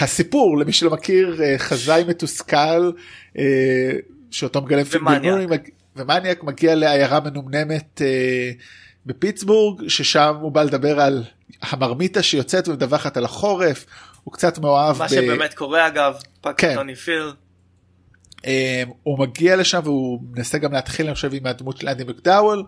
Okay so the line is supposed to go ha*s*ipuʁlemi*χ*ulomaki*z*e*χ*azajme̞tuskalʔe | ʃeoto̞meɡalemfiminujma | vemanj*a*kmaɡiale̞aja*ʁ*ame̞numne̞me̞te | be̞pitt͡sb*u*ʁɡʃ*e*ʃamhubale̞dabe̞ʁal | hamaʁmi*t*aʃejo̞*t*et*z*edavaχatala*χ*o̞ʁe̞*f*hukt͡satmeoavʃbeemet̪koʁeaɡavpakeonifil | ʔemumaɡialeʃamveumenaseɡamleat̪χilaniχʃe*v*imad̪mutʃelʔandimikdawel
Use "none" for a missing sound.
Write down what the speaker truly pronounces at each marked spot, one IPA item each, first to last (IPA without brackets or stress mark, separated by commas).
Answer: s, ʃ, ʁ, χ, a, ʁ, u, e, t, t͡s, v, χ, f, v